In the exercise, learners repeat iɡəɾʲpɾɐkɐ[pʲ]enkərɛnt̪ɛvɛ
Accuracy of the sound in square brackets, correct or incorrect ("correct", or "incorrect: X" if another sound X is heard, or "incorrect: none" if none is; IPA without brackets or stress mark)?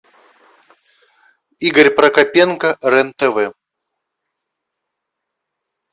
correct